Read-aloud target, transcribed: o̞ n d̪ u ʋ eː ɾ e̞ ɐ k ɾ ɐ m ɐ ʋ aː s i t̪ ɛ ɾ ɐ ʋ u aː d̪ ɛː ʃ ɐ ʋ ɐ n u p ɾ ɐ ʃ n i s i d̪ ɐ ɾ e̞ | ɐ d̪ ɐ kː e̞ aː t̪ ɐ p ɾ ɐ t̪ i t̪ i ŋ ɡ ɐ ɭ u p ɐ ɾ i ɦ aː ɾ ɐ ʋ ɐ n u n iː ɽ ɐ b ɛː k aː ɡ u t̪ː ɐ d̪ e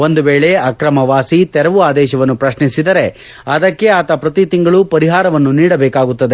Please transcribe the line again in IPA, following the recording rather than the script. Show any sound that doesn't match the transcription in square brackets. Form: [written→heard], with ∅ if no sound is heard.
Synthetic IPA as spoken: o̞ n d̪ u ʋ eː [ɾ→ɭ] e̞ ɐ k ɾ ɐ m ɐ ʋ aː s i t̪ ɛ ɾ ɐ ʋ u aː d̪ ɛː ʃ ɐ ʋ ɐ [n→nː] u p ɾ ɐ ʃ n i s i d̪ ɐ ɾ e̞ | ɐ d̪ ɐ kː e̞ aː t̪ ɐ p ɾ ɐ t̪ i t̪ i ŋ ɡ ɐ ɭ u p ɐ ɾ i ɦ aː ɾ ɐ ʋ ɐ [n→nː] u n iː ɽ ɐ b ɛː k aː ɡ u t̪ː ɐ d̪ e